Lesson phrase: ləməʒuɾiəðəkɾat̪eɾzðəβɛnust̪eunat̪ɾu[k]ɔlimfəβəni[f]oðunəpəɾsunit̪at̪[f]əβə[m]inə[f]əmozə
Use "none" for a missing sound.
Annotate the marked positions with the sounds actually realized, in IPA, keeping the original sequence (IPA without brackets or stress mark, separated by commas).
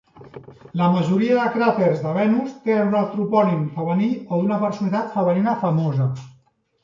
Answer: p, none, f, n, f